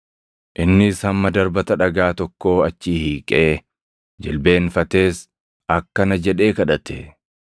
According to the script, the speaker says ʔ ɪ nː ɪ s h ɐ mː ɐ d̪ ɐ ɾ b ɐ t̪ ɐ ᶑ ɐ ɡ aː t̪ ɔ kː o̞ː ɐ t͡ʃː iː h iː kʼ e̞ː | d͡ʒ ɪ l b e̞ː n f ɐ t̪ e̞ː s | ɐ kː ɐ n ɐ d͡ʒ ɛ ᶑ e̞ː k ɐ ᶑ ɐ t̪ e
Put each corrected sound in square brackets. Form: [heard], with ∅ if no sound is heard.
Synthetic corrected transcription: ʔ ɪ nː ɪ s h ɐ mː ɐ d̪ ɐ ɾ b ɐ t̪ ɐ ᶑ ɐ ɡ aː t̪ ɔ kː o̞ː ɐ t͡ʃː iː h iː kʼ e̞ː | d͡ʒ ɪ l b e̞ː n f ɐ t̪ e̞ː s | ɐ kː ɐ n ɐ d͡ʒ ɛ ᶑ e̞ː k ɐ ᶑ ɐ t̪ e